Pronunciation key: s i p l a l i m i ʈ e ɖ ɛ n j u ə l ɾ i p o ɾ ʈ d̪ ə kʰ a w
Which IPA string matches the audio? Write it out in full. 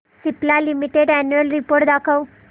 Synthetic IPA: s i p l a l i m i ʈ e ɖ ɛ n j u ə l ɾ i p o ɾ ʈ d̪ a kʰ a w